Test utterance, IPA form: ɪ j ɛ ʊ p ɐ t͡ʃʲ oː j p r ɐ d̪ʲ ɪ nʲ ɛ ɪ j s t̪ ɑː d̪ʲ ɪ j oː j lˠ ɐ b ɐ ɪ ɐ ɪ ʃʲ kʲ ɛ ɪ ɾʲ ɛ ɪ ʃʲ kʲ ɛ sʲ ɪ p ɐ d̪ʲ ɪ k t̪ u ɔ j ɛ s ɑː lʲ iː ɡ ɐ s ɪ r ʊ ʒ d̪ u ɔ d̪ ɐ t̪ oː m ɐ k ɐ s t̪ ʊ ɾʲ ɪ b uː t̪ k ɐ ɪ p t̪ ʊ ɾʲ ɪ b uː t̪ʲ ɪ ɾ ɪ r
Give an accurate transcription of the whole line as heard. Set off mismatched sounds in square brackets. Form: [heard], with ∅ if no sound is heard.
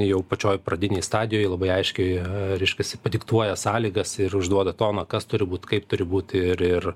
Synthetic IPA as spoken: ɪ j ɛ ʊ p ɐ t͡ʃʲ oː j p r ɐ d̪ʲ ɪ nʲ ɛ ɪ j s t̪ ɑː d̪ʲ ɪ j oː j lˠ ɐ b ɐ ɪ ɐ ɪ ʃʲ kʲ ɛ ɪ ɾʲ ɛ ɪ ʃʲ kʲ ɛ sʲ ɪ p ɐ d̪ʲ ɪ k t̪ u ɔ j ɛ s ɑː lʲ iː ɡ ɐ s ɪ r ʊ ʒ d̪ u ɔ d̪ ɐ t̪ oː [n] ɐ k ɐ s t̪ ʊ ɾʲ ɪ b uː t̪ k ɐ ɪ p t̪ ʊ ɾʲ ɪ b uː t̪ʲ ɪ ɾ ɪ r